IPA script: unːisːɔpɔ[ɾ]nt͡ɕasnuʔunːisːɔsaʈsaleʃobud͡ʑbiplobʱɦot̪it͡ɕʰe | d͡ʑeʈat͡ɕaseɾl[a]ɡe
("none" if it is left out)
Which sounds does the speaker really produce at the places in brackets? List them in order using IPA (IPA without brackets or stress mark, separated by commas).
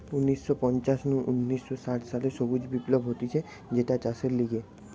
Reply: none, i